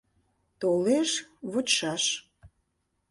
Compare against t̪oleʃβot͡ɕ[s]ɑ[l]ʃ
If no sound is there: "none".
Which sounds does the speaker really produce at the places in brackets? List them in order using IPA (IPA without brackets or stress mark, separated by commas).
ʃ, none